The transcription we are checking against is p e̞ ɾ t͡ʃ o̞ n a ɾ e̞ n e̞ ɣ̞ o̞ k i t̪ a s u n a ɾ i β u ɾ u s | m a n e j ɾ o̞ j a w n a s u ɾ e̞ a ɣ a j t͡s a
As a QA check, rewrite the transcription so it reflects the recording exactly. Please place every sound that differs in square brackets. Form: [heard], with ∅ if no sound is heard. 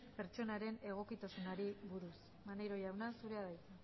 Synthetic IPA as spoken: p e̞ ɾ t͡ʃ o̞ n a ɾ e̞ n e̞ ɣ̞ o̞ k i t̪ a s u n a ɾ i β u ɾ u s | m a n e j ɾ o̞ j a w n a s u ɾ e̞ a [ð] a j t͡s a